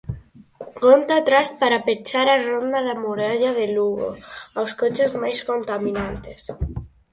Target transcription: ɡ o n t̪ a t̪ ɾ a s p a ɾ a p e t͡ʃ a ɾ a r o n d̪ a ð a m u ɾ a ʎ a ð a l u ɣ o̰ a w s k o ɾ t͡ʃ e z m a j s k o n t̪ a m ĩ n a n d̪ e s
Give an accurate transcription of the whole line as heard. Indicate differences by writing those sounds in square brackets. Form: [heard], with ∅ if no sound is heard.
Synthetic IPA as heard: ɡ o n t̪ a t̪ ɾ a s p a ɾ a p e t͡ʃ a ɾ a r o n d̪ a ð a m u ɾ a ʎ a ð [e] l u ɣ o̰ a w s k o [∅] t͡ʃ e z m a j s k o n t̪ a m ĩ n a n [t̪] e s